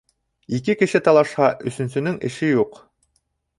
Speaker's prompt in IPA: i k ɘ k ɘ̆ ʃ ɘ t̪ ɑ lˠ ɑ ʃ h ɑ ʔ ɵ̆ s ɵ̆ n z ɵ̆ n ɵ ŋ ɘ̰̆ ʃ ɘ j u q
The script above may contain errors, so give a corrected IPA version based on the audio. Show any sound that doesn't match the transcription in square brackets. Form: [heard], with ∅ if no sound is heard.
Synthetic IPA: i k ɘ k ɘ̆ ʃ ɘ t̪ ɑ lˠ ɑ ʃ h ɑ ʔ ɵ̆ s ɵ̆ n [s] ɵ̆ n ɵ ŋ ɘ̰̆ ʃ ɘ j u q